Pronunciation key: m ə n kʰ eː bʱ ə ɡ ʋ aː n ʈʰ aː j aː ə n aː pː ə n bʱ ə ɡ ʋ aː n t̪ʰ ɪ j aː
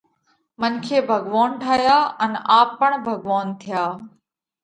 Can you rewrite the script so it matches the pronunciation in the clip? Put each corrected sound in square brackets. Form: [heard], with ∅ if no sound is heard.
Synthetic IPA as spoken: m ə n kʰ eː bʱ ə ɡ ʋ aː n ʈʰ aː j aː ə n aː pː ə [ɳ] bʱ ə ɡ ʋ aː n t̪ʰ ɪ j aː